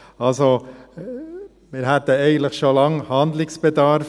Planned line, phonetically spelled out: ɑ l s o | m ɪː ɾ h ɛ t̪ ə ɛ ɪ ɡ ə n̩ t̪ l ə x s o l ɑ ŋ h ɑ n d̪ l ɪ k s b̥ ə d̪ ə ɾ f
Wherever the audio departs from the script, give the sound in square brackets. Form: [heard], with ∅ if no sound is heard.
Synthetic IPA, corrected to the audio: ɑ l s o | m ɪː ɾ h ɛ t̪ ə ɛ ɪ ɡ ə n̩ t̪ l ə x [ʃ] o l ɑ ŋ h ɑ n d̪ l ɪ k s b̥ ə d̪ [ɑ] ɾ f

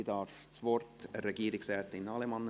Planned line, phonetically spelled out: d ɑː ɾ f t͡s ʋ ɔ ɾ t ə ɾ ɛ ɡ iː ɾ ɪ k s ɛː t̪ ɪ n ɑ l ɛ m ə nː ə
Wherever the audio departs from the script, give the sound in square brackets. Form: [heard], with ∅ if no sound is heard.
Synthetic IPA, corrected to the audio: d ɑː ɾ f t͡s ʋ ɔ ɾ t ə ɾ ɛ ɡ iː ɾ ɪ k s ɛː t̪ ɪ n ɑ l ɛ m [ɑ] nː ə

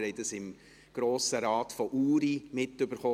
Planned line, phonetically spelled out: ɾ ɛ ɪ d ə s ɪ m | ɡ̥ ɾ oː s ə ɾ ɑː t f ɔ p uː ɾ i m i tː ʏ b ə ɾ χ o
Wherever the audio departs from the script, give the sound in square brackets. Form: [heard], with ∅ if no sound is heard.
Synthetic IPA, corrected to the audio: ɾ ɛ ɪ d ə s ɪ m | ɡ̥ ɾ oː s ə ɾ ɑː t f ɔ [ʔ] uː ɾ i m [ɪ] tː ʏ b ə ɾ χ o

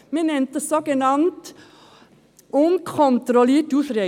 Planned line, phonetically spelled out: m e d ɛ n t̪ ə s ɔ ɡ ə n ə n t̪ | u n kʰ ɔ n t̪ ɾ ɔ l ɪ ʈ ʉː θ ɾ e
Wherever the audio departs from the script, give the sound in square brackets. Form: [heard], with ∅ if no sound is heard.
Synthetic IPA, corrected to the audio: m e [n] ɛ n t̪ ə s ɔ ɡ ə n [ɑ] n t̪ | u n kʰ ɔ n t̪ ɾ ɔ l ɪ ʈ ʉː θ ɾ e

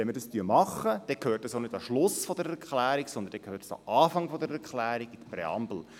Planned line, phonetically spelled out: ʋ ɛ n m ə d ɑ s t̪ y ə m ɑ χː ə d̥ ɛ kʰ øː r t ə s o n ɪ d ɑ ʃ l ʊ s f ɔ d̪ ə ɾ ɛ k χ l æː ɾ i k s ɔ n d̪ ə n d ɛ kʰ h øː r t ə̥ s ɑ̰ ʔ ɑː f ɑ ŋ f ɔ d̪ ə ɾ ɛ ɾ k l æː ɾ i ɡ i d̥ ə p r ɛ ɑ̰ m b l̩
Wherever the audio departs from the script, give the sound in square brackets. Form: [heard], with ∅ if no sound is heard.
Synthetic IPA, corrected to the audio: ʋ ɛ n m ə d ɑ s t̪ y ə m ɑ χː ə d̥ ɛ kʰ øː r t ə s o n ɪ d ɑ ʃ l ʊ s f ɔ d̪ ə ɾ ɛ k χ l æː ɾ i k s ɔ n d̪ ə n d ɛ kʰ h øː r t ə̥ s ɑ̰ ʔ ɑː f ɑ ŋ f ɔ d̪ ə ɾ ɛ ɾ k l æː ɾ i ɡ i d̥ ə p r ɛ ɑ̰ m b l̩

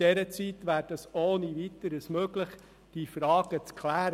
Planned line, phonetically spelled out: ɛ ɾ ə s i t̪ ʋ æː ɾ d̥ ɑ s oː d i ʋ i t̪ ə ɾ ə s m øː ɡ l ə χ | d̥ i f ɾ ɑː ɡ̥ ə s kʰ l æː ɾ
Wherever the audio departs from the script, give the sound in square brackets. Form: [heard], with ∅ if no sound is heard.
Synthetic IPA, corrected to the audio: ɛ ɾ ə [t͡s] i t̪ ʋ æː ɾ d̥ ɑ s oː [n] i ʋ i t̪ ə ɾ ə s m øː ɡ l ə χ | d̥ i f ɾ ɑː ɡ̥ ə [t͡s] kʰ l æː ɾ

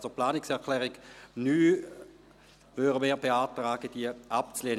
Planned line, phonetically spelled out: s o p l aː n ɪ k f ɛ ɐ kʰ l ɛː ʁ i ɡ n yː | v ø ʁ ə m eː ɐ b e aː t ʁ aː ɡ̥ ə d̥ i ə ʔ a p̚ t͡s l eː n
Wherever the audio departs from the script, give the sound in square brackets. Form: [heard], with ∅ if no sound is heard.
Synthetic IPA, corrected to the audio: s o p l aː n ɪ k [s] ɛ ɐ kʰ l ɛː ʁ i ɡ n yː | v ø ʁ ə m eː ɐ b e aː t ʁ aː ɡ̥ ə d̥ i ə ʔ a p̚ t͡s l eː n

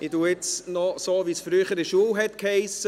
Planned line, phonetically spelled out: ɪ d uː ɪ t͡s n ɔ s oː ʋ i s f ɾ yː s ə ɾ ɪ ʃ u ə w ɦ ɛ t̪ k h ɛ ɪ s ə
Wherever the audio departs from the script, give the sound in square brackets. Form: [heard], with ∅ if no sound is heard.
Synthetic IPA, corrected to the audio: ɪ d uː ɪ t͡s n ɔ s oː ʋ i s f ɾ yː [χ] ə ɾ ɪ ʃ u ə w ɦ ɛ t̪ k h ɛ ɪ s ə

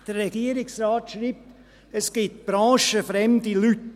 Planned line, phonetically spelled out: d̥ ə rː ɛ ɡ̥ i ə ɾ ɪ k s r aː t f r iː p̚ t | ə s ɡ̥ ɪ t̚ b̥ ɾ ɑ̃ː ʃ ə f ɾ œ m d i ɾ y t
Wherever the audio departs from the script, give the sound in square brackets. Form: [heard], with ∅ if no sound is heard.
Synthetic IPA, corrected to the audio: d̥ ə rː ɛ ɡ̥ i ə ɾ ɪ k s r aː t [ʃ] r iː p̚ t | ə s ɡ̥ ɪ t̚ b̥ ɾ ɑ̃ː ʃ ə f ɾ [ɛ] m d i [l] y t

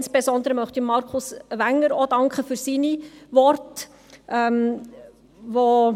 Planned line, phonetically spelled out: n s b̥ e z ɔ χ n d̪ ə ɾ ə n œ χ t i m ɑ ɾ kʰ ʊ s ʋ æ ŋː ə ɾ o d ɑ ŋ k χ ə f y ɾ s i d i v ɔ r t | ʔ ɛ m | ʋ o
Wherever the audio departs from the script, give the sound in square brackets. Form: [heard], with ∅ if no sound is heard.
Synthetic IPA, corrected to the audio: n s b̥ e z ɔ [∅] n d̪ ə ɾ ə [m] œ χ t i m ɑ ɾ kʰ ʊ s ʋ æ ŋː ə ɾ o d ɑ ŋ k χ ə f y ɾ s i [n] i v ɔ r t | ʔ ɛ m | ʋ o

